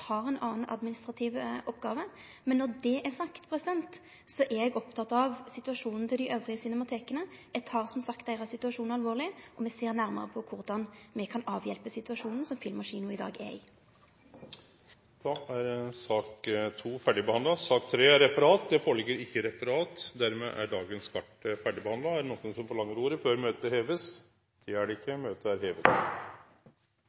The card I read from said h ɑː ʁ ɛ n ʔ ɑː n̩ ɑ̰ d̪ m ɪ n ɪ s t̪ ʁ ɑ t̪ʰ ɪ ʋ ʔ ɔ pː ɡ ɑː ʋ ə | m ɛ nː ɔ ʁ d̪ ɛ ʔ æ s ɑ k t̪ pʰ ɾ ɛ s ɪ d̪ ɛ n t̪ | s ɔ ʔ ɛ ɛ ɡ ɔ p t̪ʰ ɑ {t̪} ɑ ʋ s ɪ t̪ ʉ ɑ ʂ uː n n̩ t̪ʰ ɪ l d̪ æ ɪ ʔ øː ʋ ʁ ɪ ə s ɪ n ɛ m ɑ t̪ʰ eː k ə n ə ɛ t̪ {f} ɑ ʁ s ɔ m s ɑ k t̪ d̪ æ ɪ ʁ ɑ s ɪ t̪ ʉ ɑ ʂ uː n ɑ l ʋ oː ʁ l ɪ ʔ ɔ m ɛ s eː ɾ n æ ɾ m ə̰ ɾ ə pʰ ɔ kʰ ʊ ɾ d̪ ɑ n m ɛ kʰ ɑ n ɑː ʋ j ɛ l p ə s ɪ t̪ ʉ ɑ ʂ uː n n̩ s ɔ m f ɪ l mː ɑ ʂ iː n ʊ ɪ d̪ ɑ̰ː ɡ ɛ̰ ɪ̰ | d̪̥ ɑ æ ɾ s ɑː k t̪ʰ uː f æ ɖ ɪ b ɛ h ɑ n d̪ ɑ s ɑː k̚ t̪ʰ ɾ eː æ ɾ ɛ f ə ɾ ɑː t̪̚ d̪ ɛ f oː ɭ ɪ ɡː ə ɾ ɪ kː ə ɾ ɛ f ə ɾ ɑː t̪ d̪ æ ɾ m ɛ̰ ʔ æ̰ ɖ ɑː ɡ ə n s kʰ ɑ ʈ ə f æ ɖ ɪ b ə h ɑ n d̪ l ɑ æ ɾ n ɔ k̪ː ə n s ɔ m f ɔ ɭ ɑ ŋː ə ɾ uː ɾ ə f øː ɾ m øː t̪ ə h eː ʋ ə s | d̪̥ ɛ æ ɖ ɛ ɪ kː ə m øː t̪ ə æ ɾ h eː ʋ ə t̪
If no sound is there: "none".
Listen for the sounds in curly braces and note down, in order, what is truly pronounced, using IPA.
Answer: t̪, h

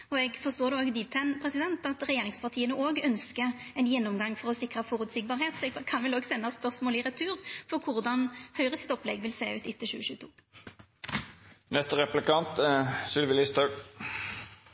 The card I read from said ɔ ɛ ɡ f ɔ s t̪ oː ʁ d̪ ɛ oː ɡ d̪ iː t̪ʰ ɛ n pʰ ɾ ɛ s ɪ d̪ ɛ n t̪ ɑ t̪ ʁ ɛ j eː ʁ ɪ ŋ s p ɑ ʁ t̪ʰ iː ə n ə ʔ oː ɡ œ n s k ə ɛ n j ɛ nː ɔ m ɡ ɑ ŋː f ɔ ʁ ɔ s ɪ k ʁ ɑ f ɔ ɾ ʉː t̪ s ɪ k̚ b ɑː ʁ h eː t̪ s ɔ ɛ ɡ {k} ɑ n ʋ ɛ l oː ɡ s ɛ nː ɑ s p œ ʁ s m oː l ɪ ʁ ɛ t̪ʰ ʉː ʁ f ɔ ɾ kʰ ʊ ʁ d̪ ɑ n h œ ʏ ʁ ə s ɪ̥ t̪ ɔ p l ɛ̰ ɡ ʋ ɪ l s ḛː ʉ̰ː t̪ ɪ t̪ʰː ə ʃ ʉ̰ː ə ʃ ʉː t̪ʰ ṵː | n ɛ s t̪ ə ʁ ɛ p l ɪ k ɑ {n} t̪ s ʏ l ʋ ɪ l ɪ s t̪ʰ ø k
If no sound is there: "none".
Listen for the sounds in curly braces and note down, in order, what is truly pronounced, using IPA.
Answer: kʰ, n

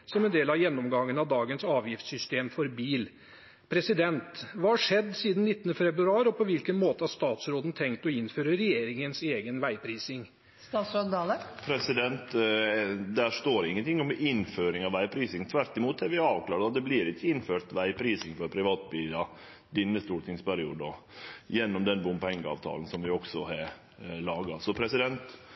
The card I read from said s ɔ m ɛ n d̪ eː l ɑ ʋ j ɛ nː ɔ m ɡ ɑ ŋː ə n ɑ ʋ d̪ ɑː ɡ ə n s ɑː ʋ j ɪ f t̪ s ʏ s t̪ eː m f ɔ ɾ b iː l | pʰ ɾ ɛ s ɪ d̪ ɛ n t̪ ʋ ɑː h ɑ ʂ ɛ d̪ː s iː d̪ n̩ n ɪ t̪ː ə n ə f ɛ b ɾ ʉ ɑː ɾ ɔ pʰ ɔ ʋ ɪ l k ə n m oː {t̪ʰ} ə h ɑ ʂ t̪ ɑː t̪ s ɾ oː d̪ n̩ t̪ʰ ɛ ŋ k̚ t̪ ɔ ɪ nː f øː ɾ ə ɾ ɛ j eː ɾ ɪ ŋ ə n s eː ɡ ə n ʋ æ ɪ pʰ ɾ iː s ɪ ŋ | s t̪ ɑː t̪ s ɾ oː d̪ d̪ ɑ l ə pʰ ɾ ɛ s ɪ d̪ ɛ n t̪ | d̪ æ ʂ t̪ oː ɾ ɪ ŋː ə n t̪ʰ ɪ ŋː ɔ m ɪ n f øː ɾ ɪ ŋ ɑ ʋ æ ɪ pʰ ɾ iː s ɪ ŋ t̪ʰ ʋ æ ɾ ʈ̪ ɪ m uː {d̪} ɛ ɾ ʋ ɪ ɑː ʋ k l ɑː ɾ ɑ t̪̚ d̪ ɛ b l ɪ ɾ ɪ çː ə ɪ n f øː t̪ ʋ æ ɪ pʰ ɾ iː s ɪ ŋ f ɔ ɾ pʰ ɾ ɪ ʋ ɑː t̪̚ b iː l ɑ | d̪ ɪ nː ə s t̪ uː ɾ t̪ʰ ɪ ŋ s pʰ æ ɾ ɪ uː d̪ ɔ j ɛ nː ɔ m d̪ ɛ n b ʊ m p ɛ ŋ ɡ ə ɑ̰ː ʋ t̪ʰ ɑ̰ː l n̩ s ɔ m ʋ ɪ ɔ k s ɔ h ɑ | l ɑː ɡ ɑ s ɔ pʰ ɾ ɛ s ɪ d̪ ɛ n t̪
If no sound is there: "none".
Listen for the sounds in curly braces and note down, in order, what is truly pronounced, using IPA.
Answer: t̪, t̪

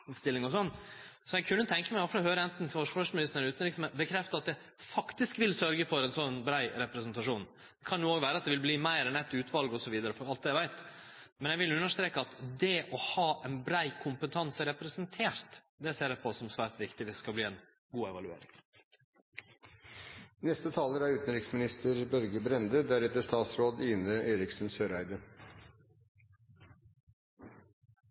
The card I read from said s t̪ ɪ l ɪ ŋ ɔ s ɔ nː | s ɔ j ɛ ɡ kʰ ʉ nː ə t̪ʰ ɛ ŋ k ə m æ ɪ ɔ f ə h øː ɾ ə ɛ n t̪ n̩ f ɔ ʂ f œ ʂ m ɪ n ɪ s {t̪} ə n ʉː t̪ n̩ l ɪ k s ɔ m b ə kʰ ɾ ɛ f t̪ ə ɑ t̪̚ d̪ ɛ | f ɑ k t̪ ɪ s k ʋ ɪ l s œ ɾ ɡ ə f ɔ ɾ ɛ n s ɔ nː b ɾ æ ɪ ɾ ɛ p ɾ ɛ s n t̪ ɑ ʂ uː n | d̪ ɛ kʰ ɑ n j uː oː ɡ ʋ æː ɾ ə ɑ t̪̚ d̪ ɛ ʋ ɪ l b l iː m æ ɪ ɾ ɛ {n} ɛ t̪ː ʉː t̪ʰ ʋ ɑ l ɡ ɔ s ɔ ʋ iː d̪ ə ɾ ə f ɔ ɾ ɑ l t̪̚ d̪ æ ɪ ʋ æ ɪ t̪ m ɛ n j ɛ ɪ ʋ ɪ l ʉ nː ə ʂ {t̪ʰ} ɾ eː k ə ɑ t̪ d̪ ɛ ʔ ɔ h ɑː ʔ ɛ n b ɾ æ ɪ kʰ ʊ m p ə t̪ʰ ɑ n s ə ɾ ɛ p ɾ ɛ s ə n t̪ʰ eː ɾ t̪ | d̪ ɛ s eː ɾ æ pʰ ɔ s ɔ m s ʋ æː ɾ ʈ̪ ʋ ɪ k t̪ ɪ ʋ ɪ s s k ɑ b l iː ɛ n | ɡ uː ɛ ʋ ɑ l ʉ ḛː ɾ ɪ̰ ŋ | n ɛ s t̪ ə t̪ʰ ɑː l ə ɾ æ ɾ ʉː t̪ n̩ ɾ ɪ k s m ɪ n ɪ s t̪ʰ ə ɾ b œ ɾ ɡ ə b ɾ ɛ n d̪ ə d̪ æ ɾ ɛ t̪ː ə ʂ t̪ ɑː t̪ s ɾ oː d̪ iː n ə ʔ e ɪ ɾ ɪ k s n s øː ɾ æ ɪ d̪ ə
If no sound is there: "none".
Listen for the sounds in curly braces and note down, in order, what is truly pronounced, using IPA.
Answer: t̪, n, t̪

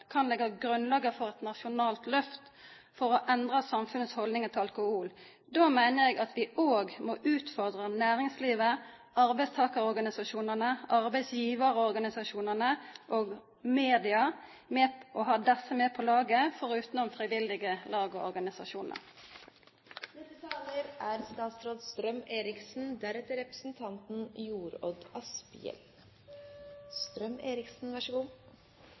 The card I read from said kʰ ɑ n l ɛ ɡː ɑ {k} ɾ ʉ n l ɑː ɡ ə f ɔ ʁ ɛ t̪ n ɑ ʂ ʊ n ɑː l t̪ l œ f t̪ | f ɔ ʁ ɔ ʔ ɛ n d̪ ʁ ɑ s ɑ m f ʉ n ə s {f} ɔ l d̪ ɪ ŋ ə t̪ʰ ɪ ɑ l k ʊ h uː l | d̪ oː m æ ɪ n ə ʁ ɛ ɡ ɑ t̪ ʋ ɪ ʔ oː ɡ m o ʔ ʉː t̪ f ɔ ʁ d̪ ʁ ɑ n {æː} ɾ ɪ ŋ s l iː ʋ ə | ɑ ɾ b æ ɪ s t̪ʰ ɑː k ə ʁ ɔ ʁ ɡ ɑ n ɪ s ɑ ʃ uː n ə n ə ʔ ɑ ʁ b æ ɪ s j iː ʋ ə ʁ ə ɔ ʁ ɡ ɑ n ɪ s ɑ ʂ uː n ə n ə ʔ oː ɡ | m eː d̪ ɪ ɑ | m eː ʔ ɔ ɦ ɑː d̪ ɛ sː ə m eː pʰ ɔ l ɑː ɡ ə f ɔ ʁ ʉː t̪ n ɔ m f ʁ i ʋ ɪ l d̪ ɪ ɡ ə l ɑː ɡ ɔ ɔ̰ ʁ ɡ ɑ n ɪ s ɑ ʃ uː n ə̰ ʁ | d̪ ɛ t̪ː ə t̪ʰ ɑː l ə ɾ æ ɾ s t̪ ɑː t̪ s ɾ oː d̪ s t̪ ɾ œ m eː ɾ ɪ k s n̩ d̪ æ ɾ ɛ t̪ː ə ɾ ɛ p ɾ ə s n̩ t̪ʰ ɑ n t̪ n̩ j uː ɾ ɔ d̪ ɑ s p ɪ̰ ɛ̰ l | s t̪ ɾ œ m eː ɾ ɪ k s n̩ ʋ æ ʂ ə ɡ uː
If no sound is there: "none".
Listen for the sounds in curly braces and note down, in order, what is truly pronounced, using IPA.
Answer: ɡ, h, æː

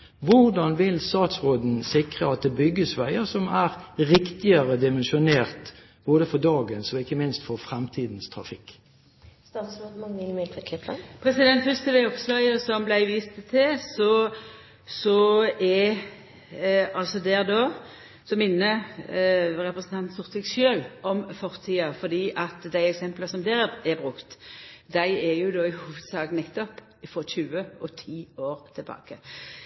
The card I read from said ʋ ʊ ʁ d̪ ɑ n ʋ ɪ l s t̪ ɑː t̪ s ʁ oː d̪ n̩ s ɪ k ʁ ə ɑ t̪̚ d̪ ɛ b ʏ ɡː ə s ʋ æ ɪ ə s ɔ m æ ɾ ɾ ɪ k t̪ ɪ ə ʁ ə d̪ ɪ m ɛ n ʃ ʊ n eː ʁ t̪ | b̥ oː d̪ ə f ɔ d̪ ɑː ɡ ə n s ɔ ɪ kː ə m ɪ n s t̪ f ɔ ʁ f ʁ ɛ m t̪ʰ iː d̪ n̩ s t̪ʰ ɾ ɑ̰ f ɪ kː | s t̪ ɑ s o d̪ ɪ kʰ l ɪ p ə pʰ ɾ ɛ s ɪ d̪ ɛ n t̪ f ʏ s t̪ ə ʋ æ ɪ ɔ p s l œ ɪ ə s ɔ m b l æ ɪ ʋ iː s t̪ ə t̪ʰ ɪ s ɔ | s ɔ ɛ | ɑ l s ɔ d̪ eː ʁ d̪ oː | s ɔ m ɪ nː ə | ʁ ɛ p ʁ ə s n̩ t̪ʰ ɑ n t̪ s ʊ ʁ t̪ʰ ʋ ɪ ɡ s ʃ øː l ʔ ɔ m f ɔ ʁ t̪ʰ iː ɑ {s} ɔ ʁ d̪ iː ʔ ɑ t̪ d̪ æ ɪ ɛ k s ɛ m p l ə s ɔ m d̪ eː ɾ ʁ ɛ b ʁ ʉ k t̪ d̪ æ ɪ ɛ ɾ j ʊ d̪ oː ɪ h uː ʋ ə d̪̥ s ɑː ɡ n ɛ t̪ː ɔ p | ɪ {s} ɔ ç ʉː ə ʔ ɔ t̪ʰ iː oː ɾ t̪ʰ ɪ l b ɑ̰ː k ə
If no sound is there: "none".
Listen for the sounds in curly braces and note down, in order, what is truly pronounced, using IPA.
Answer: f, f

